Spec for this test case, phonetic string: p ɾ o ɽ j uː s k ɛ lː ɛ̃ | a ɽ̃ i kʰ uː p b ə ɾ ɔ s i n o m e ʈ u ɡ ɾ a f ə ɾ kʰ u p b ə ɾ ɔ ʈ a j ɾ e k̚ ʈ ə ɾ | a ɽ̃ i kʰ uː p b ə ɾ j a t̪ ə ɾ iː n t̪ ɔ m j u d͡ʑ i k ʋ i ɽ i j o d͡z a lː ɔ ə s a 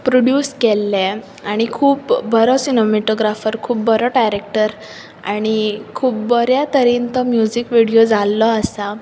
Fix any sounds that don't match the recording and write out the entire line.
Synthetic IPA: p ɾ o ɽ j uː s k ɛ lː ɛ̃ | a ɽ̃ i kʰ uː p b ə ɾ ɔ s i n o m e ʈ o ɡ ɾ a f ə ɾ kʰ uː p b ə ɾ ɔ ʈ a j ɾ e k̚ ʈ ə ɾ | a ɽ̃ i kʰ uː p b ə ɾ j a t̪ ə ɾ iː n t̪ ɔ m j u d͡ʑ i k ʋ i ɽ i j o d͡z a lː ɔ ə s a

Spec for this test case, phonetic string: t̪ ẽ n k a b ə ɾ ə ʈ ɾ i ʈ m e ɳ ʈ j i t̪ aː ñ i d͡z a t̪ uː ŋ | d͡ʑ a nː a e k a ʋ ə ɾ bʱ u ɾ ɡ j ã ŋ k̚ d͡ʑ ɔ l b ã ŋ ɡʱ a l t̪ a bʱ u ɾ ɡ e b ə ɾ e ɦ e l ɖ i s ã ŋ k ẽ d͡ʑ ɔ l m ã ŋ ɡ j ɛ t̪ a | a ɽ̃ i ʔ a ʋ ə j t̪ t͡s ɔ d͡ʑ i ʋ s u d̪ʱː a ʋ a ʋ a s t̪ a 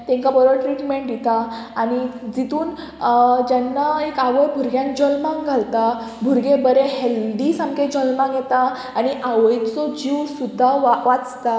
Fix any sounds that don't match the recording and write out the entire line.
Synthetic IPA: t̪ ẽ ŋ k a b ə ɾ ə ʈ ɾ i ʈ m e ɳ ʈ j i t̪ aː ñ i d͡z i t̪ uː n | d͡ʑ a nː a e k a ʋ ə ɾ bʱ u ɾ ɡ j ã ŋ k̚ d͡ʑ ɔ l m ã ŋ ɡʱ a l t̪ a bʱ u ɾ ɡ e b ə ɾ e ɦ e l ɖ i s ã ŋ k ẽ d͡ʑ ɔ l m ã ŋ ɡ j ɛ t̪ a | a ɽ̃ i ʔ a ʋ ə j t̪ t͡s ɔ d͡ʑ i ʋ s u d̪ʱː a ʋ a ʋ a t͡s t̪ a

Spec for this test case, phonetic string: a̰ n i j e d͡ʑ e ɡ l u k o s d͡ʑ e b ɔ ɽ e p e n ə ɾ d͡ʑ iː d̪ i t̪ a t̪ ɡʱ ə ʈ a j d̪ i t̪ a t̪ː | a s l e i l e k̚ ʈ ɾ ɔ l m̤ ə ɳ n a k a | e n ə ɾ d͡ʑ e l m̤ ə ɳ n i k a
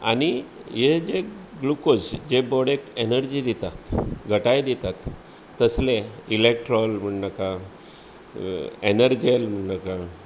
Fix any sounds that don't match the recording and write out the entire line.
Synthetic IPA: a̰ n i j e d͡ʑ e ɡ l u k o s d͡ʑ e b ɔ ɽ e k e n ə ɾ d͡ʑ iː d̪ i t̪ a t̪ ɡʱ ə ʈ a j d̪ i t̪ a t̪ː | ə s l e i l e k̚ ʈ ɾ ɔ l m̤ ə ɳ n a k a | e n ə ɾ d͡ʑ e l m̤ ə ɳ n a k a

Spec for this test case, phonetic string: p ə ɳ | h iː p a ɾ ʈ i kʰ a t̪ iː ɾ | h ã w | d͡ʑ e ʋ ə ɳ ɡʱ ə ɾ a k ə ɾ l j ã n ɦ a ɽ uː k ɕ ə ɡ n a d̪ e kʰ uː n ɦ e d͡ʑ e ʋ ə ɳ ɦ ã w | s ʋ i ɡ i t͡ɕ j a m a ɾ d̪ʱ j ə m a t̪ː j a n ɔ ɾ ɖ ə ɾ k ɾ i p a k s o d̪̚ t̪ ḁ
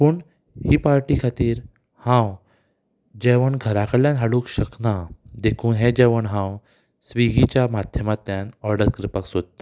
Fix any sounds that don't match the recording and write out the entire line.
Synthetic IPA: p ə ɳ | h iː p a ɾ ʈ i kʰ a t̪ iː ɾ | h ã w | d͡ʑ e ʋ ə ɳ ɡʱ ə ɾ a k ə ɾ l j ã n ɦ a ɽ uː k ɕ ə k n a d̪ e kʰ uː n ɦ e d͡ʑ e ʋ ə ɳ ɦ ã w | s ʋ i ɡ i t͡ɕ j a m a d̪ʱ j ə m a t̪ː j a n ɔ ɾ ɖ ə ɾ k ɾ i p a k s o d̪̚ t̪ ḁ

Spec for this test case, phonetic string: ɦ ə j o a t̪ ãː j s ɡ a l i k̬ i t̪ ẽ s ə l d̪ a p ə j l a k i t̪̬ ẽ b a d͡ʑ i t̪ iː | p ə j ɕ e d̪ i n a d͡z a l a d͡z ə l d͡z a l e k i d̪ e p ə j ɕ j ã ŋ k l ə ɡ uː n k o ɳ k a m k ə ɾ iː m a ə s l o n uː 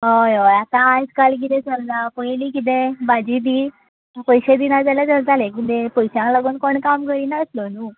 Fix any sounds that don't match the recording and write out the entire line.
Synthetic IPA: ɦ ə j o a t̪ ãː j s k a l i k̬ i t̪ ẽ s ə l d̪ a p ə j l i k i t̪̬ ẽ b a d͡ʑ i d̪ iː | p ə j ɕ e d̪ i n a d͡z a l a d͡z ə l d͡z a l e k i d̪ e p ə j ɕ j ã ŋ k l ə ɡ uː n k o ɳ k a m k ə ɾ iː n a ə s l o n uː

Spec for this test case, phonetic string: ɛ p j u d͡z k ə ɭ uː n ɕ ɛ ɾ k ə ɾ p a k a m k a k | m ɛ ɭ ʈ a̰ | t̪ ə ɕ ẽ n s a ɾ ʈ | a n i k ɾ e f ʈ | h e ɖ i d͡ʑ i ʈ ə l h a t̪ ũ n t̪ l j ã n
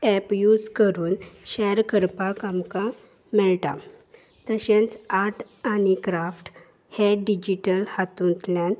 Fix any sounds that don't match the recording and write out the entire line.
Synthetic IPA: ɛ p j u d͡z k ə ɾ uː n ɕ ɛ ɾ k ə ɾ p a k a m k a | m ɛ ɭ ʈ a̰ | t̪ ə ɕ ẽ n t͡s a ɾ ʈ | a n i k ɾ a f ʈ | h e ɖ i d͡ʑ i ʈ ə l h a t̪ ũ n t̪ l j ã n

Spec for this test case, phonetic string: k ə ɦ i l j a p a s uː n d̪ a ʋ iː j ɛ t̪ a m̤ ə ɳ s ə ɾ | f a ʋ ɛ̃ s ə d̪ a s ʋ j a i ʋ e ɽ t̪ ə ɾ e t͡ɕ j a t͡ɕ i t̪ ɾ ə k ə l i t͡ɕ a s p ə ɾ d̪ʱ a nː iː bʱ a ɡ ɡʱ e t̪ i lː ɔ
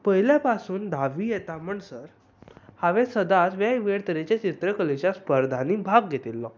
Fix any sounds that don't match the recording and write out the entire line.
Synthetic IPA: p ə ɦ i l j a p a s uː n d̪ a ʋ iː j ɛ t̪ a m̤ ə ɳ s ə ɾ | h a ʋ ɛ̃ s ə d̪ a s ʋ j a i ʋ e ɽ t̪ ə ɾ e t͡ɕ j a t͡ɕ i t̪ ɾ ə k ə l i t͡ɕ a s p ə ɾ d̪ʱ a n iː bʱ a ɡ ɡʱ e t̪ i lː ɔ

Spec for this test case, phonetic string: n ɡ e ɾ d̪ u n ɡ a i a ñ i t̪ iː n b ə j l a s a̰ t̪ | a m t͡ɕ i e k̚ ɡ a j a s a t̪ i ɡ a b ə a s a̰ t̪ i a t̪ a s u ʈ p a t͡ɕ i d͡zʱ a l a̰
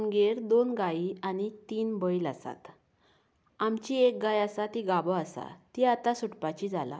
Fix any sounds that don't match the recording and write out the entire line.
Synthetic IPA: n ɡ e ɾ d̪ o n ɡ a i a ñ i t̪ iː n b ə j l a s a̰ t̪ | a m t͡ɕ i e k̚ ɡ a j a s a t̪ i ɡ a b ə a s a̰ t̪ i a t̪ a s u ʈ p a t͡ɕ i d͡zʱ a l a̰

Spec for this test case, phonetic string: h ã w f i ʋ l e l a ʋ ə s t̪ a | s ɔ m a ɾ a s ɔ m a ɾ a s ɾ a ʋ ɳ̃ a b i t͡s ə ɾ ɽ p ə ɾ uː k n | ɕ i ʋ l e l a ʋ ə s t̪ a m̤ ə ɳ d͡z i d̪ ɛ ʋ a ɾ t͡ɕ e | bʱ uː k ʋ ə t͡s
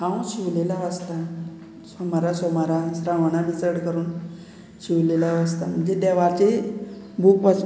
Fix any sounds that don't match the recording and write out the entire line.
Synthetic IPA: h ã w ɕ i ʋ l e l a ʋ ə s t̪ a | s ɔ m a ɾ a s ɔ m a ɾ a s ɾ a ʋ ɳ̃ a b i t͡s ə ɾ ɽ k ə ɾ uː n | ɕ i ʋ l e l a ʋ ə s t̪ a m̤ ə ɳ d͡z e d̪ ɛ ʋ a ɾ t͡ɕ e | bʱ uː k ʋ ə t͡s

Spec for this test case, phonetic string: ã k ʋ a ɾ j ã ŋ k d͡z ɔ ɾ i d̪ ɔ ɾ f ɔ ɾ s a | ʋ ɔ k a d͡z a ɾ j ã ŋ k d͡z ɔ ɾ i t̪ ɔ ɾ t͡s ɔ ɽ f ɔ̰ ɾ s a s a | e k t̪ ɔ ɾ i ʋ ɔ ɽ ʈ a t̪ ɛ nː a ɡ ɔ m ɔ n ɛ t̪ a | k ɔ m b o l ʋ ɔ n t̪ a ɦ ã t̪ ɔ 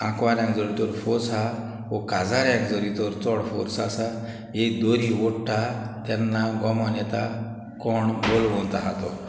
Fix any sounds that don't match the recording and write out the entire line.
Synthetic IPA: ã k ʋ a ɾ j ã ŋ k d͡z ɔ ɾ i t̪ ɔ ɾ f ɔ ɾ s a | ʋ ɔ k a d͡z a ɾ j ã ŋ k d͡z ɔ ɾ i t̪ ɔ ɾ t͡s ɔ ɽ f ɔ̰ ɾ s a s a | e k d̪ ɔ ɾ i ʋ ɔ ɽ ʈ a t̪ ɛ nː a ɡ ɔ m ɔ n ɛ t̪ a | k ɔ ɳ b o l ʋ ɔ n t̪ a ɦ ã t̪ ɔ

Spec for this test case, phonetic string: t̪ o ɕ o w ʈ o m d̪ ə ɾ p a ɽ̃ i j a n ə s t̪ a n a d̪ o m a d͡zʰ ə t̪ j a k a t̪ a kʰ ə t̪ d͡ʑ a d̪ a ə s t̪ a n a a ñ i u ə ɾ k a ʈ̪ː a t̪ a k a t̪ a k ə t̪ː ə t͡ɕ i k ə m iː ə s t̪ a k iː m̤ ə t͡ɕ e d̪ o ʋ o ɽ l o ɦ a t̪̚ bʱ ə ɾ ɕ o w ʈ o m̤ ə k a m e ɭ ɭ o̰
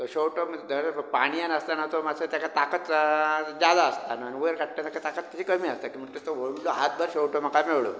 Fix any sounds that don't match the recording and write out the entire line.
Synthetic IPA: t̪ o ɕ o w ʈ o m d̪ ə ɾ p a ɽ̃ i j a n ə s t̪ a n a t̪ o m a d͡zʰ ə t̪ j a k a t̪ a k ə t̪ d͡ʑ a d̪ a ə s t̪ a n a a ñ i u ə ɾ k a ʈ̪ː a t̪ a k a t̪ a k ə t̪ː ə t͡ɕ i k ə m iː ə s t̪ a k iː m̤ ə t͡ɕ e t̪ o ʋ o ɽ l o ɦ a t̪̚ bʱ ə ɾ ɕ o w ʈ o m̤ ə k a m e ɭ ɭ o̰

